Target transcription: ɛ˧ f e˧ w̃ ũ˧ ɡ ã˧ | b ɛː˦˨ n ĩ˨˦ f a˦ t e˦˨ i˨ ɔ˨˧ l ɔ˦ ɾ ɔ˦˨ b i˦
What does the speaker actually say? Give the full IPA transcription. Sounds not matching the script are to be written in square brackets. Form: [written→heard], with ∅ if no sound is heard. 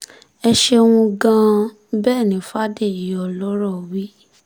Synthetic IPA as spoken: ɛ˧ [f→ʃ] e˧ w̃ ũ˧ ɡ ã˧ | b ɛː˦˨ n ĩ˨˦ f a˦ [t→d] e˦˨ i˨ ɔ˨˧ l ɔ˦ ɾ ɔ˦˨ [b→w] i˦